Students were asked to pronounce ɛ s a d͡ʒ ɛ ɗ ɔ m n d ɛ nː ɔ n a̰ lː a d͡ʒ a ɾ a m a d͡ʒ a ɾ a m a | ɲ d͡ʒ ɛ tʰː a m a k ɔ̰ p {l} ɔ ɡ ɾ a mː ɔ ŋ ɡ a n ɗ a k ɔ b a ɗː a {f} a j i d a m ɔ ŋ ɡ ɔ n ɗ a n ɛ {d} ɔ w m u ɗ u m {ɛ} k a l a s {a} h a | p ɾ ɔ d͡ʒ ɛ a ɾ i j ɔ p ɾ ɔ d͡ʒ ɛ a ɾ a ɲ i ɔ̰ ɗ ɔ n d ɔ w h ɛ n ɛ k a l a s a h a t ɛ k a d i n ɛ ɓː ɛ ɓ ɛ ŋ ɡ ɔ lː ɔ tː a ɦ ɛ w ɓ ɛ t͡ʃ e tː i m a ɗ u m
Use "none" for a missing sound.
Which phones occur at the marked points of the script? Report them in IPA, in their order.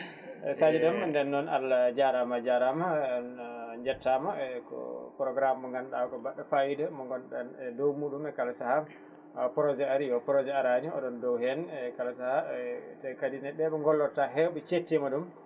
ɾ, f, d, ɛ, a

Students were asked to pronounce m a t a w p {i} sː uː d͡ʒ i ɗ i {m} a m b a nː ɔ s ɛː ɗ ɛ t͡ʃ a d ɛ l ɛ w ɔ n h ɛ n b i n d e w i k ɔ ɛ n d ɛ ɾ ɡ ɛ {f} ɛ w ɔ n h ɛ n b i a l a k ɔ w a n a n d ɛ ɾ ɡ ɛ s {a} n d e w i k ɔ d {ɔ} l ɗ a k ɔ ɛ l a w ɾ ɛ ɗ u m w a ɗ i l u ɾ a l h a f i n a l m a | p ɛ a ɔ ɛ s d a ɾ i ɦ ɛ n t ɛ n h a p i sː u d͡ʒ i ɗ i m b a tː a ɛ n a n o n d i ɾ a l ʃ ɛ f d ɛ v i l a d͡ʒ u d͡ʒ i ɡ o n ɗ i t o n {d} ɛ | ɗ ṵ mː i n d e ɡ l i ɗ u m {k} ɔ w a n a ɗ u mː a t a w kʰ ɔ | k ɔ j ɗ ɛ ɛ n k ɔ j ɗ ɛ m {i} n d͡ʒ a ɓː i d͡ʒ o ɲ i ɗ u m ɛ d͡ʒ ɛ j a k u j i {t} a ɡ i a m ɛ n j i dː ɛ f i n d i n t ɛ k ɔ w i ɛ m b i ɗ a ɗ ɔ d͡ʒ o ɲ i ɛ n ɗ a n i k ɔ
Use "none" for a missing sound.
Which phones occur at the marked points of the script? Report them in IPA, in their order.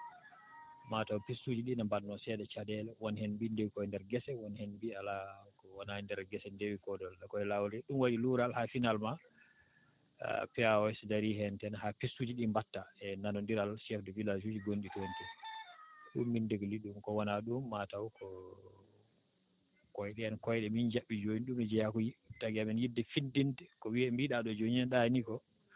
i, n, s, ɛ, ɔ, t, k, i, t

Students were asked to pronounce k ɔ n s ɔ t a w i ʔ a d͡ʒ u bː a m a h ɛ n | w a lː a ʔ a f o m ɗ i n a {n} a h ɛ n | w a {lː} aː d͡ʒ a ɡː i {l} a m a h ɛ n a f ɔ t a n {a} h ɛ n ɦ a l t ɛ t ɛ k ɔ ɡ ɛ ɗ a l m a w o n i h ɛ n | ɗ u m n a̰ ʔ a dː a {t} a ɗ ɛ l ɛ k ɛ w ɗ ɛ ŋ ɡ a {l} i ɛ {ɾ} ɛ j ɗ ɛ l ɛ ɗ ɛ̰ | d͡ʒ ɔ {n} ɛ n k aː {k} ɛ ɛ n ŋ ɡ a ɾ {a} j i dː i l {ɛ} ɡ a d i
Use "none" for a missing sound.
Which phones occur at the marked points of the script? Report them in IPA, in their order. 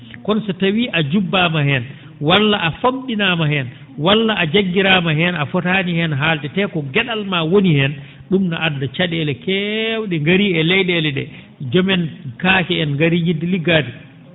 m, lː, ɾ, i, t͡ʃ, ɾ, l, m, k, i, i

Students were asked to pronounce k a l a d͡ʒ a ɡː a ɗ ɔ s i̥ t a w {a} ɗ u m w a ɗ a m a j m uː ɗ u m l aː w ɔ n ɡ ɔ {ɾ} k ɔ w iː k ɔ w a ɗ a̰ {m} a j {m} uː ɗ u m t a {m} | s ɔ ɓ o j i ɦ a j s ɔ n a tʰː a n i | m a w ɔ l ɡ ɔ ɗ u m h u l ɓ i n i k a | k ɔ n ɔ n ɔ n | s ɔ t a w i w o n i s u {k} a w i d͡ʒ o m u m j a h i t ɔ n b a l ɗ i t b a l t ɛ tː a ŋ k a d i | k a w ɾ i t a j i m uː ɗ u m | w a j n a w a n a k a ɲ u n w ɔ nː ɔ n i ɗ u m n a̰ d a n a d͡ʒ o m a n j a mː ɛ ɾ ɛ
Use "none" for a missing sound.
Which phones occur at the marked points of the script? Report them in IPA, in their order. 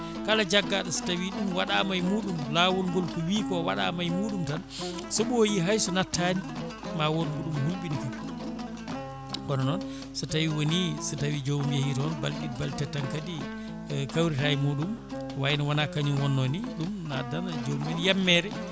i, l, m, m, n, t

